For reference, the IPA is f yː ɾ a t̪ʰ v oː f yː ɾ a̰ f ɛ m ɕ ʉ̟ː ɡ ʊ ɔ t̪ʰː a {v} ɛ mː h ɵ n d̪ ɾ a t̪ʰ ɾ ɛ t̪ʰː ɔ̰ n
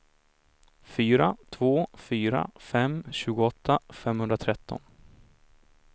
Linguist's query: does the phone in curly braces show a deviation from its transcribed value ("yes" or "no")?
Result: yes